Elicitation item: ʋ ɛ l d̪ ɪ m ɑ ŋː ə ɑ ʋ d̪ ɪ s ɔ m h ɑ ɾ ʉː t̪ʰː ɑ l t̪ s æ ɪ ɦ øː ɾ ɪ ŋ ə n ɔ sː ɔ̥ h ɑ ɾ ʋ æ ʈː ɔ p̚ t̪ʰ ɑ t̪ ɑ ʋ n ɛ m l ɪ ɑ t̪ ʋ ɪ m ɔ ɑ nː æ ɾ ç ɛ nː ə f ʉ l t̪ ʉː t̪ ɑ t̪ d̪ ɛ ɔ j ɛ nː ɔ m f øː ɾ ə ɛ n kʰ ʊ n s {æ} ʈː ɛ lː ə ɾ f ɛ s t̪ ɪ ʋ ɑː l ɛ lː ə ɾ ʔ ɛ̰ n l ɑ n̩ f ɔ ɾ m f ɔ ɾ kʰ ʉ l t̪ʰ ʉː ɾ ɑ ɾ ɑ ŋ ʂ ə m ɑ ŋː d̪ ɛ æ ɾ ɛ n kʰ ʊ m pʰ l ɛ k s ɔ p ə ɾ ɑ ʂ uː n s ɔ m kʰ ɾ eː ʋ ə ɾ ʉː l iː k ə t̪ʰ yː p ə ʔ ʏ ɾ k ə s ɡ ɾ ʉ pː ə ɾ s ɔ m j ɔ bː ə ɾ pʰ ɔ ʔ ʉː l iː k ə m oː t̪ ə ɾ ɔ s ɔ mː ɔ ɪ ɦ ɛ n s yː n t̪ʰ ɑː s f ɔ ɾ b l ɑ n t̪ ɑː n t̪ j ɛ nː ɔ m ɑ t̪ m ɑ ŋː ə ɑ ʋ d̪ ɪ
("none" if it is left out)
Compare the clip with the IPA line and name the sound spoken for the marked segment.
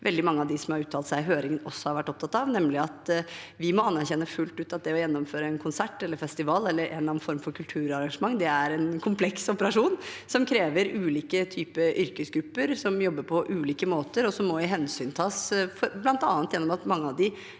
æ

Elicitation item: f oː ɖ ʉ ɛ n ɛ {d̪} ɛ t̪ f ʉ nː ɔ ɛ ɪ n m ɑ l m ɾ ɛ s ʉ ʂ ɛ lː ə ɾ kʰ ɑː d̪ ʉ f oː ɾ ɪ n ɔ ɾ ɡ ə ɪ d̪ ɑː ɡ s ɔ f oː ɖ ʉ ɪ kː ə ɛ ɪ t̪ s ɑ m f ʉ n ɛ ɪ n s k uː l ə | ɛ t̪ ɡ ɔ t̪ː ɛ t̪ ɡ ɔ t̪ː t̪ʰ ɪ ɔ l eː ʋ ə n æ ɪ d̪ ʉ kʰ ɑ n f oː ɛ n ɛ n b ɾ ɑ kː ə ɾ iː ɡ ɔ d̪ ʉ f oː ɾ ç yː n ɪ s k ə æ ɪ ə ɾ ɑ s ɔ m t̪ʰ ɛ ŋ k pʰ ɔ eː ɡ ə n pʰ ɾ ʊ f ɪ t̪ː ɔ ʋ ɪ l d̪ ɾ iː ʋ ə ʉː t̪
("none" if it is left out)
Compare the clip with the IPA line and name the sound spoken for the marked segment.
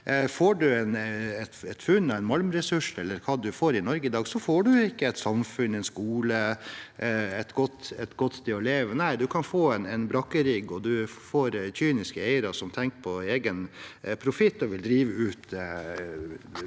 t̪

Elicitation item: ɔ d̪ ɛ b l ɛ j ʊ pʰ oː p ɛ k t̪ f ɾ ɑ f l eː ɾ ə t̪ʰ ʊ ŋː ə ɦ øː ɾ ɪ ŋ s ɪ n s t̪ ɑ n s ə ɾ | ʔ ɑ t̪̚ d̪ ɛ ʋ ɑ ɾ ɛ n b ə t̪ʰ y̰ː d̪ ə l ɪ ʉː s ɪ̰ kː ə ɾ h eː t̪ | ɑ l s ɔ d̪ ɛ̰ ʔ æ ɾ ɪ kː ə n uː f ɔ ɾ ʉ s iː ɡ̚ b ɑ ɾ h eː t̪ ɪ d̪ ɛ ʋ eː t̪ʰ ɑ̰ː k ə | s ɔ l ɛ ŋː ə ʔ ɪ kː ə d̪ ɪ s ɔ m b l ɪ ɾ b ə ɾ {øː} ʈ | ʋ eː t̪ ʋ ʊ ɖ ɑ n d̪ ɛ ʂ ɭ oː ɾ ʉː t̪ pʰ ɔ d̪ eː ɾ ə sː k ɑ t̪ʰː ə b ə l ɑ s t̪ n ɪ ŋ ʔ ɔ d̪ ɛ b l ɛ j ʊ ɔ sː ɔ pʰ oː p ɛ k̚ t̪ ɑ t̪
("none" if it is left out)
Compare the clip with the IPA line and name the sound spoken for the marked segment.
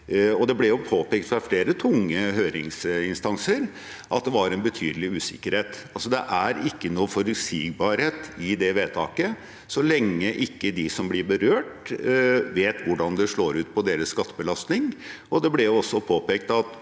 øː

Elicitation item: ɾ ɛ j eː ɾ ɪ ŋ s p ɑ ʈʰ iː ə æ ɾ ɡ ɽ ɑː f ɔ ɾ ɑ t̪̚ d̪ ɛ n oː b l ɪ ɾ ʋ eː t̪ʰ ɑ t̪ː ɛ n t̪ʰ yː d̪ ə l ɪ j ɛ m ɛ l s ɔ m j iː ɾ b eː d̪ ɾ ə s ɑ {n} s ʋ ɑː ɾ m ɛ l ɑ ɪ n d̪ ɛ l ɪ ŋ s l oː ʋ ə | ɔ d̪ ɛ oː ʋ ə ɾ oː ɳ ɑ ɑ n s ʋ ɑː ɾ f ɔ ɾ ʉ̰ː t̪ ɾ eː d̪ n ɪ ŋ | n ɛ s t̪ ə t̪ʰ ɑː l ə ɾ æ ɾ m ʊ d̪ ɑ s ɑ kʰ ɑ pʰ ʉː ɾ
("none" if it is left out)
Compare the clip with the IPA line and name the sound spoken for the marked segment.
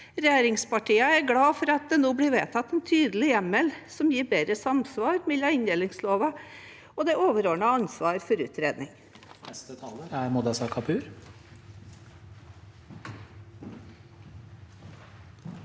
m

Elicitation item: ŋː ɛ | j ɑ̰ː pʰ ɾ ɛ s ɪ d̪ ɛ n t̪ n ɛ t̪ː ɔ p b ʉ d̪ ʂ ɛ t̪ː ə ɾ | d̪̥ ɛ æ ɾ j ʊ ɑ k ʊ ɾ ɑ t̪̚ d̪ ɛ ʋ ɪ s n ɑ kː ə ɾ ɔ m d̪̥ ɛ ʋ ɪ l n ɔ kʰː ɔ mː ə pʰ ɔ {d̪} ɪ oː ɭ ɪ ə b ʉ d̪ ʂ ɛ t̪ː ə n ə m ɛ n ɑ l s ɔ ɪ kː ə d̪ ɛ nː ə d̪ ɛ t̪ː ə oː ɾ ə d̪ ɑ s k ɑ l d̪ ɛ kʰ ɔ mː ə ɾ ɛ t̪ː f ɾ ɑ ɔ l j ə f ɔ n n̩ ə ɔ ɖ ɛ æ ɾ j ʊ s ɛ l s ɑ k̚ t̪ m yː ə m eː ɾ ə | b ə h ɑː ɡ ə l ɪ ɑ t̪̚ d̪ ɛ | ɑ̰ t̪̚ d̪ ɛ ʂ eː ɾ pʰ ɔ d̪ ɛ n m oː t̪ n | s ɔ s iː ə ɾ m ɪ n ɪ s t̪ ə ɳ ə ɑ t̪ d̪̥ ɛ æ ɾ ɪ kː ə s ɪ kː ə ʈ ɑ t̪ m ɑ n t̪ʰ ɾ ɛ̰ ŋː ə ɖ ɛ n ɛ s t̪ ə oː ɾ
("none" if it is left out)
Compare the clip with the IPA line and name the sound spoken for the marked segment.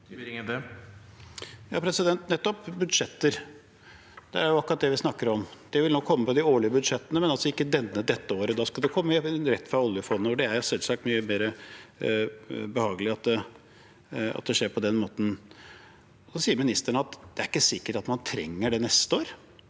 d̪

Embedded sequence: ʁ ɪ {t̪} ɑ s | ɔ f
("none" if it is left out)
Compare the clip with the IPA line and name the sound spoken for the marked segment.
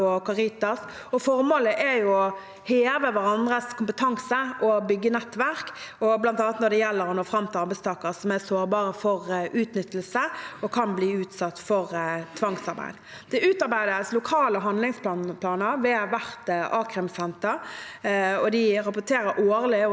t̪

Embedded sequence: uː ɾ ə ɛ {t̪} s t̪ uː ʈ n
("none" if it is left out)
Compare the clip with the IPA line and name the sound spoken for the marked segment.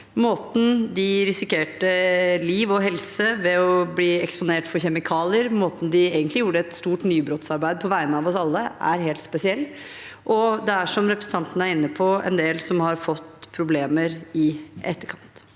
t̪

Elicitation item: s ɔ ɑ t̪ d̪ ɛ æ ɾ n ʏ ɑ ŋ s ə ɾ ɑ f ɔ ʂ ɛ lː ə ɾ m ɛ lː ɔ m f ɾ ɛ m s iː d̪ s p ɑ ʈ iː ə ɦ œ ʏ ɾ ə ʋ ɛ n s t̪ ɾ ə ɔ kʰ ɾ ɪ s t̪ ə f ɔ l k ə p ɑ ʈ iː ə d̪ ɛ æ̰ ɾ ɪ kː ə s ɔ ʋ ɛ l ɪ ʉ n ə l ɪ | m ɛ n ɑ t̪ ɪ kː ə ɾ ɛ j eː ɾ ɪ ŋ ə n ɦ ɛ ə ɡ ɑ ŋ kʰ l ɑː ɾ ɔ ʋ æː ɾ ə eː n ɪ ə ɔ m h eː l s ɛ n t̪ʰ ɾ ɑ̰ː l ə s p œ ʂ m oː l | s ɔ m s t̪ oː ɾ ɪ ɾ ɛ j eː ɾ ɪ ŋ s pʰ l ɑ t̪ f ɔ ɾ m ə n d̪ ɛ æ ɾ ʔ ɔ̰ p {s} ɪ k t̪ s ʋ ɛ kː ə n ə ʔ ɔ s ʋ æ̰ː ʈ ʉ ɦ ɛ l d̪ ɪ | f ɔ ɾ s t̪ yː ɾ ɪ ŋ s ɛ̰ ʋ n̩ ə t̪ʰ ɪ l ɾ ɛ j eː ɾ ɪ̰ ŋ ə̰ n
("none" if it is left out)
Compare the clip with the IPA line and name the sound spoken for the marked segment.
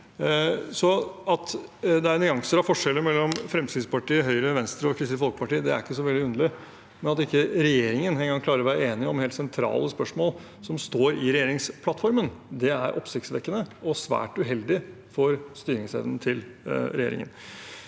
s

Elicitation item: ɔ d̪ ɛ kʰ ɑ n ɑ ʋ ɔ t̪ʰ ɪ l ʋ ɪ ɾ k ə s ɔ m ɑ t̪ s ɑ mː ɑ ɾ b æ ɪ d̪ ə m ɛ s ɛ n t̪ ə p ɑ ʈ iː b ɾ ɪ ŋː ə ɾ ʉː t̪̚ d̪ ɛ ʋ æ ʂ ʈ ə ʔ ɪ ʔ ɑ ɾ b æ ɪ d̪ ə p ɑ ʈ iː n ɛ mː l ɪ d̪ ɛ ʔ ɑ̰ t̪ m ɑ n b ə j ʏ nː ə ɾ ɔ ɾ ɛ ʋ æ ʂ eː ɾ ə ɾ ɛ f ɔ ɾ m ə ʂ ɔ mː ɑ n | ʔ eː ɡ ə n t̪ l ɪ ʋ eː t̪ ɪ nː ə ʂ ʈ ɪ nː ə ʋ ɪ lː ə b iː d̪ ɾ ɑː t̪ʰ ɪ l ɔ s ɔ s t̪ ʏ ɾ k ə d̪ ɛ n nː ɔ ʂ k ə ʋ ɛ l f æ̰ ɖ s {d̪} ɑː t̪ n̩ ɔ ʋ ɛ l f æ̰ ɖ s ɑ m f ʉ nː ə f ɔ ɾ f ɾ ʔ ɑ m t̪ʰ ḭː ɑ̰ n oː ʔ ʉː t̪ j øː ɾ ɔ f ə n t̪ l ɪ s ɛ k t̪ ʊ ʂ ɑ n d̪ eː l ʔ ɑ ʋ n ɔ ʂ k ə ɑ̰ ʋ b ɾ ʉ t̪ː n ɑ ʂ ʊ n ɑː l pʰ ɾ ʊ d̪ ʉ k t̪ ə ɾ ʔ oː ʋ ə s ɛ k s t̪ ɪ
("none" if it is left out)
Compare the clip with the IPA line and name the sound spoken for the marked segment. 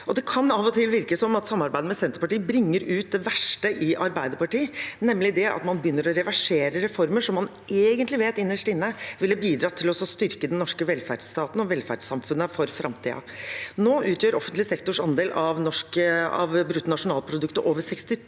t̪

